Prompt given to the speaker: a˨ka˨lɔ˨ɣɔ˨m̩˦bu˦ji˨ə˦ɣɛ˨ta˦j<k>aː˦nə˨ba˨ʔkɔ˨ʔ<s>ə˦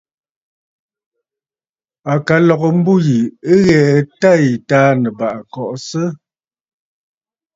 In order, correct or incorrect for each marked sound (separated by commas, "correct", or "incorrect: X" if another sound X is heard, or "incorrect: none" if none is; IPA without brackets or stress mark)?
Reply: incorrect: t, correct